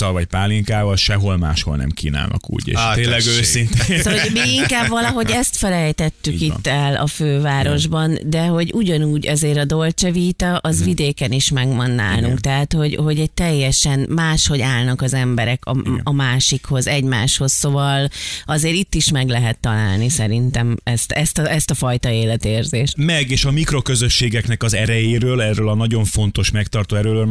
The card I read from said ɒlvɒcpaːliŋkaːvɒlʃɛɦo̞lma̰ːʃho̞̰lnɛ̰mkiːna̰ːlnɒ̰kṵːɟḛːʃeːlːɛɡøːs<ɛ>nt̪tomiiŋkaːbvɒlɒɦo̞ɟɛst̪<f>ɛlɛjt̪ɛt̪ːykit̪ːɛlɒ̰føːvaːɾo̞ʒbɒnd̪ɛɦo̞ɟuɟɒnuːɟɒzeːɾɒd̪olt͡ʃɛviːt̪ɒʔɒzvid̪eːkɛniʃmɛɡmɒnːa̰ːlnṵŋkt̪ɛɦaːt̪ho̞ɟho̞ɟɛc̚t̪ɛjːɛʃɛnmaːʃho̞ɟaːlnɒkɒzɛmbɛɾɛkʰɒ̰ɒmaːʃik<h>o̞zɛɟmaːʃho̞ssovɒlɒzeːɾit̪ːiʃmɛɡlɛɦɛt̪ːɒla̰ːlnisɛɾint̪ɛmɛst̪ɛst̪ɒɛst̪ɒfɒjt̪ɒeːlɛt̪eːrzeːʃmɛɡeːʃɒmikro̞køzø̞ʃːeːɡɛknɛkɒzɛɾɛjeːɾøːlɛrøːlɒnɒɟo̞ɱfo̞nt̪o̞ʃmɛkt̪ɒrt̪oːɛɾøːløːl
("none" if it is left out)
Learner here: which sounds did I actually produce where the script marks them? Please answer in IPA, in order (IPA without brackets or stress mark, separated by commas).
i, f, h